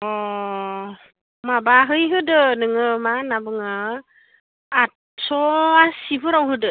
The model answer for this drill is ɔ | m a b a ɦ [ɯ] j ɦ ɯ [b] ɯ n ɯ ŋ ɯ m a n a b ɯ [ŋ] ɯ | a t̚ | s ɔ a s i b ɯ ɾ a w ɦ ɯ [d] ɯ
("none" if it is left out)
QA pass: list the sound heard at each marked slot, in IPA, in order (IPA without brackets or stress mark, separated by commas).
ɯ, d, ŋ, d